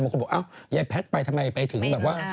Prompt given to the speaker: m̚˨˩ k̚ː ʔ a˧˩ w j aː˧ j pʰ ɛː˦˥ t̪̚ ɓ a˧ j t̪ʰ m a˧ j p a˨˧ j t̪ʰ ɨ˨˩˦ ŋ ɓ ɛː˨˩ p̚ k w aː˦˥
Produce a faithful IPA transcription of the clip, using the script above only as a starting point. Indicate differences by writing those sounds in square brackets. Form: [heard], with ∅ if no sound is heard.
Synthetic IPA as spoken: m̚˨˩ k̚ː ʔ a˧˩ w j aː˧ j pʰ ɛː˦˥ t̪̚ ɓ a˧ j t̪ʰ m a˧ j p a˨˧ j t̪ʰ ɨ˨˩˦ ŋ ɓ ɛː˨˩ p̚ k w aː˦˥

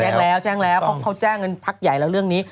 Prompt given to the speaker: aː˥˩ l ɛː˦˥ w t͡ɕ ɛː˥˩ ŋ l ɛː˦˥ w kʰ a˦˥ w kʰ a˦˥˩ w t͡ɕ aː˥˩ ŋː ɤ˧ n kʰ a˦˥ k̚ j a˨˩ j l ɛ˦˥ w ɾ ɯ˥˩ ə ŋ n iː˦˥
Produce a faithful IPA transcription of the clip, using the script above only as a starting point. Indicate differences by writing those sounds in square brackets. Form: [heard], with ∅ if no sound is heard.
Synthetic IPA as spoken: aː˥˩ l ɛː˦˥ w t͡ɕ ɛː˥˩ ŋ l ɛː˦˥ w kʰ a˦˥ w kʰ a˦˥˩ w t͡ɕ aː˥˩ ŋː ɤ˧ n [pʰ] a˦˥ k̚ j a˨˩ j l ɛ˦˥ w ɾ ɯ˥˩ ə ŋ n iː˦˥

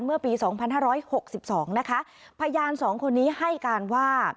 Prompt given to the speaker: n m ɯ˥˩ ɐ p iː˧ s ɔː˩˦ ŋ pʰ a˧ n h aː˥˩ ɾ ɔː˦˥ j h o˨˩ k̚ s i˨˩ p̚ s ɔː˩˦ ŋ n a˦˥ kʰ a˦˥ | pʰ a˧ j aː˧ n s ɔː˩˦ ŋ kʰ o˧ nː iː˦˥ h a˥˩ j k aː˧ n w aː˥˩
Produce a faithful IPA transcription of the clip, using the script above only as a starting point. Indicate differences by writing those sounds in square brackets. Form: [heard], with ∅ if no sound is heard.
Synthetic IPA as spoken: n m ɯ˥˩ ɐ p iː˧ s ɔː˩˦ ŋ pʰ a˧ n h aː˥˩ ɾ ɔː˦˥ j h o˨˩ k̚ s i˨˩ p̚ s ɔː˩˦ ŋ n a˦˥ kʰ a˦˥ | pʰ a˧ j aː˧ n s ɔː˩˦ ŋ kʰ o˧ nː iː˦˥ h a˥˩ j k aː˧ n w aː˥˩

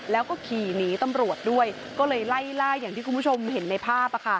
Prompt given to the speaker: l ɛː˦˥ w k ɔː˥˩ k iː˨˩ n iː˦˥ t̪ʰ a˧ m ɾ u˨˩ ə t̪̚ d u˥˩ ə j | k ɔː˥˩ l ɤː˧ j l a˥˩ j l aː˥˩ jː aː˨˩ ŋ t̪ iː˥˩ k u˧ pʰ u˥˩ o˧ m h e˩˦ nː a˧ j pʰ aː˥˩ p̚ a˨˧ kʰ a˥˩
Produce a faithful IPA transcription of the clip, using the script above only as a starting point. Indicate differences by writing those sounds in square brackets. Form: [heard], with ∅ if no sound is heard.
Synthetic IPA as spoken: l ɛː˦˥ w k ɔː˥˩ [kʰ] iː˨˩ n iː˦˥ [t̪] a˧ m ɾ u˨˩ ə t̪̚ d u˥˩ ə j | k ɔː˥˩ l ɤː˧ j l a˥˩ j l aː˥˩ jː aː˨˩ ŋ t̪ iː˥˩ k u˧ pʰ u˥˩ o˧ m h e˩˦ nː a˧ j pʰ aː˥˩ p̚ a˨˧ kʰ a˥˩

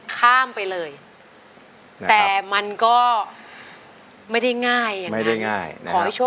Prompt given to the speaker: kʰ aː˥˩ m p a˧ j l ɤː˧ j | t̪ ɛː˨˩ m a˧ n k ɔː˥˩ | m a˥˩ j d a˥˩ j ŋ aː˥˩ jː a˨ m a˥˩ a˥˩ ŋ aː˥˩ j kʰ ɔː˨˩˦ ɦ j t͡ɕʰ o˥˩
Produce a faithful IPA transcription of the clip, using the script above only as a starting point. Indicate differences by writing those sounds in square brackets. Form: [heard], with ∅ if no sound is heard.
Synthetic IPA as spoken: kʰ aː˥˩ m p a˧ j l ɤː˧ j | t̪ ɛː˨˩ m a˧ n k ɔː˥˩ | m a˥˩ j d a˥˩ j ŋ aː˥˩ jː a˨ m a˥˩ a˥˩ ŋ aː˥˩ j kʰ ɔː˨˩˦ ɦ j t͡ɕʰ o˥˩

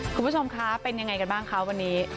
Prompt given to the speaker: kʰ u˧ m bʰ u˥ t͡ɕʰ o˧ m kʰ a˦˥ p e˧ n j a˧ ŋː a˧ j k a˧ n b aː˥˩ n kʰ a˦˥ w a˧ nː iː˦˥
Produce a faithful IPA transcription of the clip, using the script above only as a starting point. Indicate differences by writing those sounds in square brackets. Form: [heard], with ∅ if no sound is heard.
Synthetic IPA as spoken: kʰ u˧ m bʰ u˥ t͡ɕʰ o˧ m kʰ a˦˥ p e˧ n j a˧ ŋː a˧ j k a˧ n b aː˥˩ [ŋ] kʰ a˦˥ w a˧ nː iː˦˥

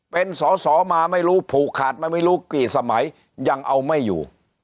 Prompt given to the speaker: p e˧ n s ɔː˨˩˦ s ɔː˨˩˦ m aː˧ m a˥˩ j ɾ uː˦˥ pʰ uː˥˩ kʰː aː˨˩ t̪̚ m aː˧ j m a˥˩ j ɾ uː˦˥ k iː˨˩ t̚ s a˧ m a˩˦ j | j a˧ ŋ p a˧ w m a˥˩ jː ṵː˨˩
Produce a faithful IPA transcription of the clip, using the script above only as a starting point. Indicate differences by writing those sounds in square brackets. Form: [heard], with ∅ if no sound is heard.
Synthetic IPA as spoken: p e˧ n s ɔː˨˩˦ s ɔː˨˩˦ m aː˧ m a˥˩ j ɾ uː˦˥ pʰ [uː˨˩] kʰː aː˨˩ t̪̚ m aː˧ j m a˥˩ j ɾ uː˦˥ k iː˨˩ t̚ s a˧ m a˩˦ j | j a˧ ŋ [ʔ] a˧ w m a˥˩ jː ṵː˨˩

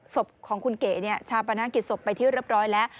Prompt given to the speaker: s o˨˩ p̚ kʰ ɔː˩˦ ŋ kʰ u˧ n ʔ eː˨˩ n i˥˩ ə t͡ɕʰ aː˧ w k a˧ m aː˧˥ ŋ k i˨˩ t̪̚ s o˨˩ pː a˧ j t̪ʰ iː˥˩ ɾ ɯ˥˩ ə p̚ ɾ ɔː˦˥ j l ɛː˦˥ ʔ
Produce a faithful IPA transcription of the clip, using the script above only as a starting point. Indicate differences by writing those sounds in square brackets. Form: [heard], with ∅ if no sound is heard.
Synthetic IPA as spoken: s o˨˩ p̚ kʰ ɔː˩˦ ŋ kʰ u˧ n [k] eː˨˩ n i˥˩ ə t͡ɕʰ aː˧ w [p] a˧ [n] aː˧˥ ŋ k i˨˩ t̪̚ s o˨˩ pː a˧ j t̪ʰ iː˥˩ ɾ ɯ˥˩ ə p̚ ɾ ɔː˦˥ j l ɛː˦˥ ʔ

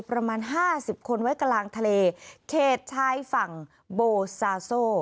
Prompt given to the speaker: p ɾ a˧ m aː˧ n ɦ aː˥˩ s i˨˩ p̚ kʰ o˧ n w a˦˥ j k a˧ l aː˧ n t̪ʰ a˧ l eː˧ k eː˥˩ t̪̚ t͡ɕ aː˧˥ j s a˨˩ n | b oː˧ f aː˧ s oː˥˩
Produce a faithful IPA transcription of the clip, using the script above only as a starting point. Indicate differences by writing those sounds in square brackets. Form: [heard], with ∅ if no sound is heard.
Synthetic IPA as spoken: p ɾ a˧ m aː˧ n ɦ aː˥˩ s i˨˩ p̚ kʰ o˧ n w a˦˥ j k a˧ l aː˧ [ŋ] t̪ʰ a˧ l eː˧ [kʰ] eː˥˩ t̪̚ [t͡ɕʰ] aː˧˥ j [f] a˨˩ [ŋ] | b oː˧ [s] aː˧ s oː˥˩

